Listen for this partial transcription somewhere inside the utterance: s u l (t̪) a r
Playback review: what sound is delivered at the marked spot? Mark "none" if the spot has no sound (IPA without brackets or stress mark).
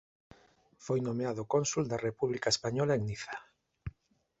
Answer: d̪